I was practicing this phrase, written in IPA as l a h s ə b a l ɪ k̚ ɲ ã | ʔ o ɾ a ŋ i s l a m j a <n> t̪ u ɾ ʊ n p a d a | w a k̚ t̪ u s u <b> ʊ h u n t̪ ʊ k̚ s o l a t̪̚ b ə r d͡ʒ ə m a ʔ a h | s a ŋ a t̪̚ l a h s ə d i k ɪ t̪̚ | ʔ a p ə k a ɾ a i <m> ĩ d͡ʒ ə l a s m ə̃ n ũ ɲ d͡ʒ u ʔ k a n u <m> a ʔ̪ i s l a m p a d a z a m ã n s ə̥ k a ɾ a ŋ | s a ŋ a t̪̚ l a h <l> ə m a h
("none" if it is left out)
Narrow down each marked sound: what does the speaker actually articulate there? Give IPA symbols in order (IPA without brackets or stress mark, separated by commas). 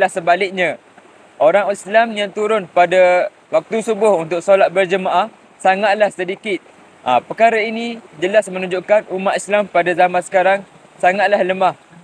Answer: ŋ, b, n, m, l